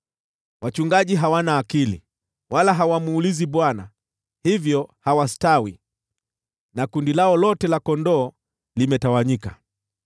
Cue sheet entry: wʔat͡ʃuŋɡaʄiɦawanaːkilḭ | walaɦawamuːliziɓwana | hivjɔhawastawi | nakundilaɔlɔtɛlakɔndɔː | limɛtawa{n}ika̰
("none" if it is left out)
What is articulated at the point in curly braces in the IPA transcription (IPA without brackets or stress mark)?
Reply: ɲ